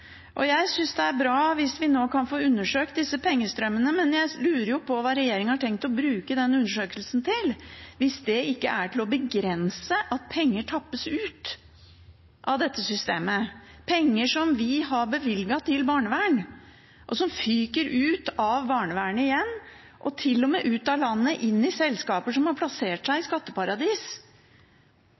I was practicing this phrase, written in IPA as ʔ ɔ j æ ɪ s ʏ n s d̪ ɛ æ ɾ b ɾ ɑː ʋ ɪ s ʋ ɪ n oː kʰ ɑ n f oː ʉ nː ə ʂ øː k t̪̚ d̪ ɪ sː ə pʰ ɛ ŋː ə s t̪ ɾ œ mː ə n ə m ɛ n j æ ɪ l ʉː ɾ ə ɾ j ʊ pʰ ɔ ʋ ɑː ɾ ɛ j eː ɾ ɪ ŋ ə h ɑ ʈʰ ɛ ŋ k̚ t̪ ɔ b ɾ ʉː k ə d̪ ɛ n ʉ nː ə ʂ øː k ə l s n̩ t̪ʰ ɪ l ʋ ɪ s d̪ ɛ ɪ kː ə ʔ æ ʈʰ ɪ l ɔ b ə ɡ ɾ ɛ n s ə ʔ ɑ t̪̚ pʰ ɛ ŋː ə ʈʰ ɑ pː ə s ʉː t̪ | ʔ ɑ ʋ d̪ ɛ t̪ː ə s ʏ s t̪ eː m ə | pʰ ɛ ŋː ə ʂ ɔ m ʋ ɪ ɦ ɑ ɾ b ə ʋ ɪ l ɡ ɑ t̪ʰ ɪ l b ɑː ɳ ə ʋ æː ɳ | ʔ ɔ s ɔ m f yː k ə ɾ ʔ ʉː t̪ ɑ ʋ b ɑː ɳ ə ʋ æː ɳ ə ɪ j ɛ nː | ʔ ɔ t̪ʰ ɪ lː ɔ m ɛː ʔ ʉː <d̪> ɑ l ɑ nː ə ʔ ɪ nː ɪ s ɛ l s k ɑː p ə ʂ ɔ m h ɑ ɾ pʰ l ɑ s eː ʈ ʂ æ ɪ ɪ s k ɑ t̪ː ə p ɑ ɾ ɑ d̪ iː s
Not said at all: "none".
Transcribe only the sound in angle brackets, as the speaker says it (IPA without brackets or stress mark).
t̪